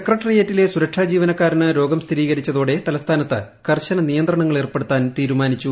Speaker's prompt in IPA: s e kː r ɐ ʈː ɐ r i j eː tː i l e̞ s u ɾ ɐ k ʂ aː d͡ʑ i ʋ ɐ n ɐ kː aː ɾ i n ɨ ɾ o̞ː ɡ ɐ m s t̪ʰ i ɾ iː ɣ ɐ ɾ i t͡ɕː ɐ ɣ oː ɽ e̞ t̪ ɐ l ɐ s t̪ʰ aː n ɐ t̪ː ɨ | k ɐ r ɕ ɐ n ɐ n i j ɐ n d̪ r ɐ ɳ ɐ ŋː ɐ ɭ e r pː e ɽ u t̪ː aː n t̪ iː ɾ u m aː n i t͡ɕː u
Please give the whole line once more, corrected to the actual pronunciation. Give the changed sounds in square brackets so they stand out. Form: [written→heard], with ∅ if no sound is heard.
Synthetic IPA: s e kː r ɐ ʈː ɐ r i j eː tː i l e̞ s u ɾ ɐ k ʂ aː d͡ʑ [i→iː] ʋ ɐ n ɐ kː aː ɾ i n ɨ ɾ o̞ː ɡ ɐ m s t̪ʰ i ɾ iː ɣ ɐ ɾ i t͡ɕː ɐ [ɣ→ð] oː ɽ e̞ t̪ ɐ l ɐ s t̪ʰ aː n ɐ t̪ː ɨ | k ɐ r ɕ ɐ n ɐ n i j ɐ n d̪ r ɐ ɳ ɐ ŋː ɐ ɭ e r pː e ɽ u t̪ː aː n t̪ iː ɾ u m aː n i t͡ɕː u